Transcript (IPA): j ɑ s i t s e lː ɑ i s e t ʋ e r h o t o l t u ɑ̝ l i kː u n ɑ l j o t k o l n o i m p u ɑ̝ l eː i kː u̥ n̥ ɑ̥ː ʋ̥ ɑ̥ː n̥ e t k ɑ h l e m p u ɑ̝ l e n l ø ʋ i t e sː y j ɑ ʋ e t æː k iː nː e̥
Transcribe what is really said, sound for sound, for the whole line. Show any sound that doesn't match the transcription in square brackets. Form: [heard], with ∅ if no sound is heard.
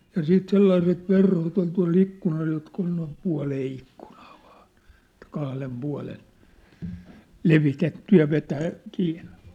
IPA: j ɑ s [iː] t s e lː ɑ i s e t ʋ e r h o t o l t u ɑ̝ l i kː u n ɑ l j o t k o l n o i m p u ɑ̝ l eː i kː u̥ n̥ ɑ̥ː ʋ̥ ɑ̥ː n̥ e t k ɑ h l e m p u ɑ̝ l e n l [e] ʋ i t e [tː] y j ɑ ʋ e t æː k iː nː e̥